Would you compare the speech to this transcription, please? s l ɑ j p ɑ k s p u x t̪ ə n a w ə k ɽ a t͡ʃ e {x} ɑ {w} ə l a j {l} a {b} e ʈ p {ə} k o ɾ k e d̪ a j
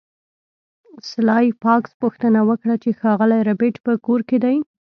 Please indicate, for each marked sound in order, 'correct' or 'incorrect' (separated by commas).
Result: correct, incorrect, incorrect, correct, correct